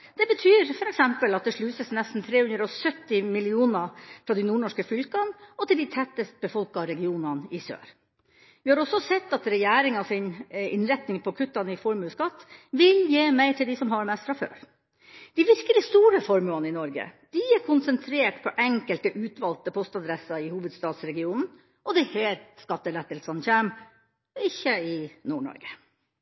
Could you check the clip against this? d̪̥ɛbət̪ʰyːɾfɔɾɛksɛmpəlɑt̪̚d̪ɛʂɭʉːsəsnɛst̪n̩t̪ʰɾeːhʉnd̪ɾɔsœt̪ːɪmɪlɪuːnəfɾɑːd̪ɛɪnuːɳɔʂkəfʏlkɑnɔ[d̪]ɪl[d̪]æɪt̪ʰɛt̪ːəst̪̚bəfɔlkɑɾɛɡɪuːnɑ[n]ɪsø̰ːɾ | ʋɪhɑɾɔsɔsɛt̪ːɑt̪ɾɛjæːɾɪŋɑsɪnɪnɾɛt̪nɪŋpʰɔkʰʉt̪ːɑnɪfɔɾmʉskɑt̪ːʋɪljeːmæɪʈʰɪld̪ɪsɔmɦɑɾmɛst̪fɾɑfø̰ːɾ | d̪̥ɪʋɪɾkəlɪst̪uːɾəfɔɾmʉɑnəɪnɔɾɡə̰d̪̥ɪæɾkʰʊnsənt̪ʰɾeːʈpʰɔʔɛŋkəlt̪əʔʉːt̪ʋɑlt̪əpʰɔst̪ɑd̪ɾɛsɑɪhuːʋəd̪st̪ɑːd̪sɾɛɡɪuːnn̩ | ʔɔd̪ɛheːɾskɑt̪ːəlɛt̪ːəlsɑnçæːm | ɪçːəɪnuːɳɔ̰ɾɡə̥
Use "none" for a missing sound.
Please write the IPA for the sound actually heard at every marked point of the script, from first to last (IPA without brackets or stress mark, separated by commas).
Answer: t̪, d̪, n